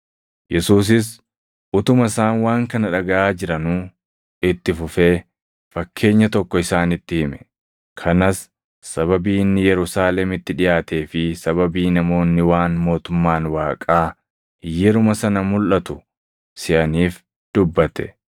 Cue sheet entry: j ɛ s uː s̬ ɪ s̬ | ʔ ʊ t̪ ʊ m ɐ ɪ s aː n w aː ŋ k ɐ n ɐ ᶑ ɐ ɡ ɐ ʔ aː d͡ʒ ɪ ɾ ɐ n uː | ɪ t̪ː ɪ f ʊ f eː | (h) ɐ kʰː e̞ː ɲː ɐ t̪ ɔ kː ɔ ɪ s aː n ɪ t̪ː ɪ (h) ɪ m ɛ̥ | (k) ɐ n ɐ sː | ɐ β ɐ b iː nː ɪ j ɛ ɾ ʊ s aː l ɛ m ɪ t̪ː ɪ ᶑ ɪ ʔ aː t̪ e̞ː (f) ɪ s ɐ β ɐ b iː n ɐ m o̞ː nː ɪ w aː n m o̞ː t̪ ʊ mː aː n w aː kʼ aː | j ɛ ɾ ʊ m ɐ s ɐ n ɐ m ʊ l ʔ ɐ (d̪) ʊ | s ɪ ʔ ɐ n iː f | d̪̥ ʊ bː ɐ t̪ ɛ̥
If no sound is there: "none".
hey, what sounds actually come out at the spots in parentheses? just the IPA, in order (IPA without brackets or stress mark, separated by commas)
f, h, kʰ, f, t̪